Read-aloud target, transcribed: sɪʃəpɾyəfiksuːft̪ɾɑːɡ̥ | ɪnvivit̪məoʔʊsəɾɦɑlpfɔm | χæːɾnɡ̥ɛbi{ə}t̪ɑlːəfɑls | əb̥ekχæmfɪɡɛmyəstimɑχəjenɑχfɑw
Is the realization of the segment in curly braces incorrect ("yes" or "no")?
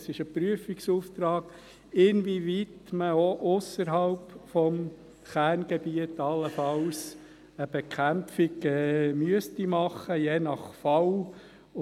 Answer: no